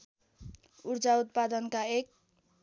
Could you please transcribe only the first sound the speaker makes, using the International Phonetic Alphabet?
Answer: u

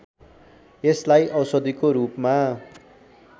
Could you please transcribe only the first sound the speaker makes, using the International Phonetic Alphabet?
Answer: e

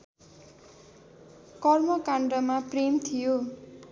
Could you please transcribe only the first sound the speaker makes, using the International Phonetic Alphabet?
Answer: k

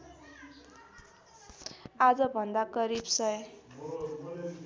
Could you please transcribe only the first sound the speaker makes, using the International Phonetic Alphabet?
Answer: a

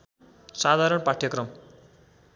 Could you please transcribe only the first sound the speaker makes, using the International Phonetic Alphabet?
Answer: s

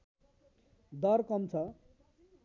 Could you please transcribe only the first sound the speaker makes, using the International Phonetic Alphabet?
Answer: d̪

